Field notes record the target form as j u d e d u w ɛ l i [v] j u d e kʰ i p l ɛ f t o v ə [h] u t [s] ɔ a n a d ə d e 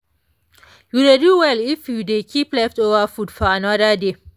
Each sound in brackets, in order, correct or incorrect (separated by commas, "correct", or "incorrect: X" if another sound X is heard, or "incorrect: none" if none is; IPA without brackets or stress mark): incorrect: f, incorrect: f, incorrect: f